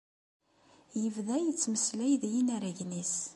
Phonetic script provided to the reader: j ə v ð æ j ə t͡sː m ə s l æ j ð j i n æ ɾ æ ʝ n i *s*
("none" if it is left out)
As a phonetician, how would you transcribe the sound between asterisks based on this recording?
s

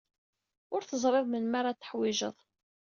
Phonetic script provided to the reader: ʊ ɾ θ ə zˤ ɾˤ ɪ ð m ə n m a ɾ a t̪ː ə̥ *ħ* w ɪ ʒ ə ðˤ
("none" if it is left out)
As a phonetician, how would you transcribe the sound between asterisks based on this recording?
ħ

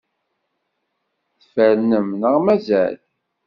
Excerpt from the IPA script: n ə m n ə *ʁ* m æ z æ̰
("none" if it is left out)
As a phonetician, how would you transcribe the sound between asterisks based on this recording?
ʁ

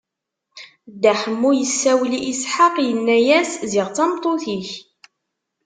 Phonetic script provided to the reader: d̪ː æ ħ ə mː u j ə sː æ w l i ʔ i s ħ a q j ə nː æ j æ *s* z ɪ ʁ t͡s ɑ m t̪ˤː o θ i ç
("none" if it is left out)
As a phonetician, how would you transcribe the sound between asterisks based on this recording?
s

